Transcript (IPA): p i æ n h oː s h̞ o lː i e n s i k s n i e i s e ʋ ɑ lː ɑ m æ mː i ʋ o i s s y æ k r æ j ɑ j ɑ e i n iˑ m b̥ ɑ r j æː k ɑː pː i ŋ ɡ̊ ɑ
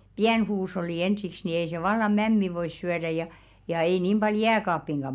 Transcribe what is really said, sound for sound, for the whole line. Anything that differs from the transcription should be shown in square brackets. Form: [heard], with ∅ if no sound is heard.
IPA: p i æ n h [uː] s h̞ o lː i e n s i k s n i e i s e ʋ ɑ lː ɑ m æ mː i ʋ o i s s y æ [∅] r æ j ɑ j ɑ e i n iˑ m b̥ ɑ [l] j æː k ɑː pː i ŋ ɡ̊ ɑ